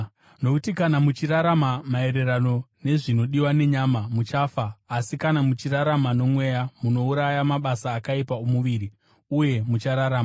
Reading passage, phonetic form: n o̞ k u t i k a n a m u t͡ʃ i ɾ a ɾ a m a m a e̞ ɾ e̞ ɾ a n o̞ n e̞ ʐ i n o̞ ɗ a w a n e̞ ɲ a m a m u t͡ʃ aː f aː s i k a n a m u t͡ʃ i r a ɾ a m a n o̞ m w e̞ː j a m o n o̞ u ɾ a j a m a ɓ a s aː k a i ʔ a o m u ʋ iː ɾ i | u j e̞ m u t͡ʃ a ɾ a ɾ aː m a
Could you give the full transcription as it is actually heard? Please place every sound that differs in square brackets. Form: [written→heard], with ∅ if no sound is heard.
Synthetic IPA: n o̞ k u t i k a n a m u t͡ʃ i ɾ a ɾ a m a m a e̞ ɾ e̞ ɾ a n o̞ n e̞ ʐ i n o̞ ɗ [a→i] w a n e̞ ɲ a m a m u t͡ʃ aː f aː s i k a n a m u t͡ʃ i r a ɾ a m a n o̞ m w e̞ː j a m [o→u] n o̞ u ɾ a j a m a ɓ a s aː k a i [ʔ→p] a o m u ʋ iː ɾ i | u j e̞ m u t͡ʃ a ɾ a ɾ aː m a

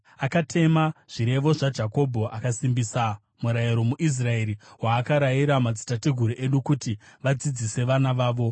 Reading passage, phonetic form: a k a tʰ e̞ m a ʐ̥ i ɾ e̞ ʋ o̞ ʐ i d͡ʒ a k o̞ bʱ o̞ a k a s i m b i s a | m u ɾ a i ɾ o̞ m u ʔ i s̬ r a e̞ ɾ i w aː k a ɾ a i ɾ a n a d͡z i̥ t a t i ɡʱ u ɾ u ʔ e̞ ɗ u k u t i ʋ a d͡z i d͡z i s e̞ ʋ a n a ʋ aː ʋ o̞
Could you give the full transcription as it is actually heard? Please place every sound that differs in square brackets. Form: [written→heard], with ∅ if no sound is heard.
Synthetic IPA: a k a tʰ e̞ m a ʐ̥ i ɾ e̞ ʋ o̞ ʐ [i→a] d͡ʒ a k o̞ bʱ o̞ a k a s i m b i s a | m u ɾ a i ɾ o̞ m u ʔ i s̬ r a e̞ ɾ i w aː k a ɾ a i ɾ a [n→m] a d͡z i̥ t a t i ɡʱ u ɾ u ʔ e̞ ɗ u k u t i ʋ a d͡z i d͡z i s e̞ ʋ a n a ʋ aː ʋ o̞

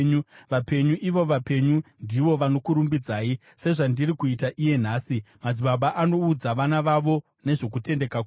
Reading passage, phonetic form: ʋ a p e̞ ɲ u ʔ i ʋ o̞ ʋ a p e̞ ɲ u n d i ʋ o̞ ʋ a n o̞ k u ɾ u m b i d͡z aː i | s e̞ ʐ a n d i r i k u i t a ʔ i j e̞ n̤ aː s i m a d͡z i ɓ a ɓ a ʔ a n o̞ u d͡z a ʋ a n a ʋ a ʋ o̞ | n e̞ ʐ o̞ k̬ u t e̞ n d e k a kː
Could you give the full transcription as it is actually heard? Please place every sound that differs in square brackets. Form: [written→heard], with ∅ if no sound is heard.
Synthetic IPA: ʋ a p e̞ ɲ u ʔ i ʋ o̞ ʋ a p e̞ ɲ u n d i ʋ o̞ ʋ a n o̞ k u ɾ u m b i d͡z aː i | s e̞ ʐ a n d i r i k u i t a ʔ i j e̞ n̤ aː s i m a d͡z i ɓ a ɓ a ʔ a n o̞ u d͡z a ʋ a n a ʋ a ʋ o̞ | n e̞ ʐ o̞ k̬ u t e̞ n d e k a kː

